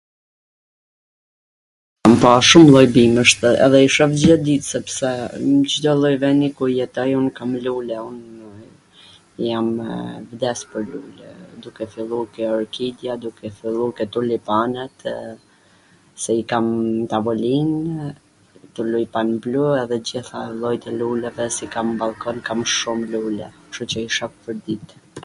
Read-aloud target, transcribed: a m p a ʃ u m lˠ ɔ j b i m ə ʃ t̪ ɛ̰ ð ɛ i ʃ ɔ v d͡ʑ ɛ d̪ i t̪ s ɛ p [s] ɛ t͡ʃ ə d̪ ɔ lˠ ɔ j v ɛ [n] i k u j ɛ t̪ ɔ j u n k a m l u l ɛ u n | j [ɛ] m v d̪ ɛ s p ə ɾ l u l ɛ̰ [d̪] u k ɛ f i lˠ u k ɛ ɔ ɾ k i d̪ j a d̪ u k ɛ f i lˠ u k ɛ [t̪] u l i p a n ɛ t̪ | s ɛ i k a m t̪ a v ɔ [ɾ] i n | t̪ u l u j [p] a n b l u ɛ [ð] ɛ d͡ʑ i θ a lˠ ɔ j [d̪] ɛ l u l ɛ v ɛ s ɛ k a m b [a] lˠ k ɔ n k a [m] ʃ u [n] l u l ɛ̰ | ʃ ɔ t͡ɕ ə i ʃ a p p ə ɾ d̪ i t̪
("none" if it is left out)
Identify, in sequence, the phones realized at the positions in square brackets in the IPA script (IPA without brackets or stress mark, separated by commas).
s, n, a, d̪, t̪, l, p, ð, t̪, a, m, m